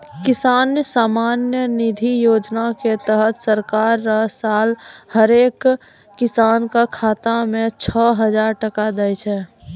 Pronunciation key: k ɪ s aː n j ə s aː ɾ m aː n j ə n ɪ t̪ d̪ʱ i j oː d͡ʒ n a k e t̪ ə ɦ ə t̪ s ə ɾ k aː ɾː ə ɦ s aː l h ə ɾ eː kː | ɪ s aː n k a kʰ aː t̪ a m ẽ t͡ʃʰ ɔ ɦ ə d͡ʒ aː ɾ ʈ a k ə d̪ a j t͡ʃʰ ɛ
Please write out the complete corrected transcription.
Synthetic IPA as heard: k ɪ s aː n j ə s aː m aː n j ə n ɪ d̪ʱ i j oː d͡ʒ n a k e t̪ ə ɦ ə t̪ s ə ɾ k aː ɾː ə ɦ s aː l h ə ɾ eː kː | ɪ s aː n k a kʰ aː t̪ a m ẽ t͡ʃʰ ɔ ɦ ə d͡ʒ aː ɾ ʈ ə k a d̪ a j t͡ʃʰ ɛ